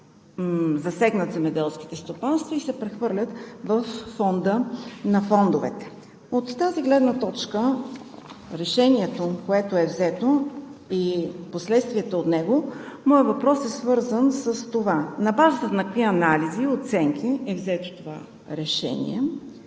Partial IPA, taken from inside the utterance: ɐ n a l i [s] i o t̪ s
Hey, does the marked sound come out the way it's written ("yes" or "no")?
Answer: no